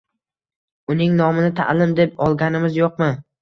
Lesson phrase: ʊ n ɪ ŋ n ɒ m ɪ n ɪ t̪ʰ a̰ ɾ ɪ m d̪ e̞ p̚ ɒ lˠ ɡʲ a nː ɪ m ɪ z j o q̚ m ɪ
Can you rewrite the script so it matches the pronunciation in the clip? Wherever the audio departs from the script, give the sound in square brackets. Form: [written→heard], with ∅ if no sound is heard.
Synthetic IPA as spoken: ʊ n ɪ ŋ n ɒ m ɪ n ɪ t̪ʰ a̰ [ɾ→l] ɪ m d̪ e̞ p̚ ɒ lˠ ɡʲ a [nː→n] ɪ m ɪ z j o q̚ m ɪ